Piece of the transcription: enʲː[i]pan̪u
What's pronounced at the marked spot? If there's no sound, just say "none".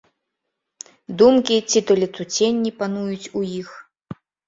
i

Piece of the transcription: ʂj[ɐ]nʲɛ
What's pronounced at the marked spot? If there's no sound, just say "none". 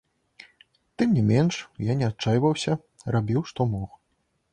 a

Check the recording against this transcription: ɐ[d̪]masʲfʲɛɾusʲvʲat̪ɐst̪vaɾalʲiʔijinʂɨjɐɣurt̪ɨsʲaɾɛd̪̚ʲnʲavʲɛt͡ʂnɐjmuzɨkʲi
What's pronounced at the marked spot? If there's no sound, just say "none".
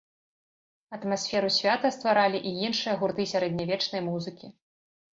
t̪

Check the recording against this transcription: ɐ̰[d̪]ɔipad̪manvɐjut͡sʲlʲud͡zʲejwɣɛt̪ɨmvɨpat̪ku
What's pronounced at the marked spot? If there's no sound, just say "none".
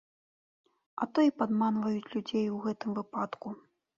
t̪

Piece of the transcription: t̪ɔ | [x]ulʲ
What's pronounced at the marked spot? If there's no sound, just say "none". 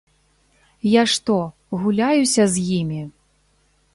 ɣ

